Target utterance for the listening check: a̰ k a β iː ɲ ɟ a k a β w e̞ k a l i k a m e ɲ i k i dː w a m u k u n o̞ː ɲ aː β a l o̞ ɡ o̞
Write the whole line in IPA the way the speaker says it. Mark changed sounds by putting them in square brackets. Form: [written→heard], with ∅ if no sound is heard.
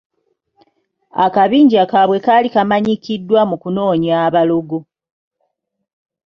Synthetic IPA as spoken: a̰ k a β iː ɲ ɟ a k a β w e̞ k a l i k a m [e→a] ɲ i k i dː w a m u k u n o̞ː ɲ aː β a l o̞ ɡ o̞